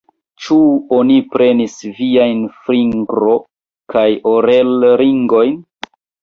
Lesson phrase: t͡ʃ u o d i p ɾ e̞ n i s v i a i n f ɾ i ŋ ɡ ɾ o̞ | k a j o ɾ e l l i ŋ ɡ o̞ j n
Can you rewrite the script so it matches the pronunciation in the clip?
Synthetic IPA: t͡ʃ u o n i p ɾ e̞ n i s v i a j n f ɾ i ŋ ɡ ɾ o̞ | k a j o ɾ e l ɾ i ŋ ɡ o̞ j n